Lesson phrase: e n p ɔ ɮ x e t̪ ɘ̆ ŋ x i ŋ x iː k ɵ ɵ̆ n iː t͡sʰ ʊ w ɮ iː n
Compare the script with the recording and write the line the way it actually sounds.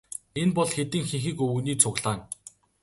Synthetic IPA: e n p ɔ ɮ x e t̪ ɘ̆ ŋ x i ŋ x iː k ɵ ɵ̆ n iː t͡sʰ ʊ ɣ ɮ aː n

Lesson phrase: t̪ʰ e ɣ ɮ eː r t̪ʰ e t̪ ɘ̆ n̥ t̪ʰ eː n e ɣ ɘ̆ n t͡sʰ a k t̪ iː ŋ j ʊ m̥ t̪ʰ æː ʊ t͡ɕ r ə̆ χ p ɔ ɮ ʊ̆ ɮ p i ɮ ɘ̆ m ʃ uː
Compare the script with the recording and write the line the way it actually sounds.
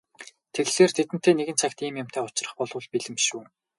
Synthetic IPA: t̪ʰ e ɣ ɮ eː r t̪ʰ e t̪ ɘ̆ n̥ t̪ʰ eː n e ɣ ɘ̆ n t͡sʰ a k t̪ iː m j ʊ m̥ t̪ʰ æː ʊ t͡ɕ r ə̆ χ p ɔ ɮ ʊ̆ ɮ p i ɮ ɘ̆ m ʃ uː

